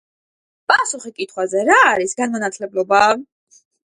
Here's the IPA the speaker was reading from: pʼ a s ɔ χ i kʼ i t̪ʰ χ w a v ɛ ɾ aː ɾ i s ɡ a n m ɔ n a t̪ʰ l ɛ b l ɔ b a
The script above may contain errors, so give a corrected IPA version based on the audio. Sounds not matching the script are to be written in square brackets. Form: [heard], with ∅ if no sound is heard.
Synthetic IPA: pʼ a s [u] χ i kʼ i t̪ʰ χ w a [z] ɛ ɾ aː ɾ i s ɡ a n m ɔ n a t̪ʰ l ɛ b l ɔ b a